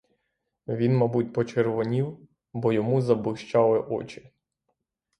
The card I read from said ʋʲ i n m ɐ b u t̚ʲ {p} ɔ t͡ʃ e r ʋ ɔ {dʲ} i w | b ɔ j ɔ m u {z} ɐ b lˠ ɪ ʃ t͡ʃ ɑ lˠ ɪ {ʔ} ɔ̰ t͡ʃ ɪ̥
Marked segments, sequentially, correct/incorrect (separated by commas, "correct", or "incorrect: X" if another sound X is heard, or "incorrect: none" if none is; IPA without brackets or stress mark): correct, incorrect: nʲ, correct, correct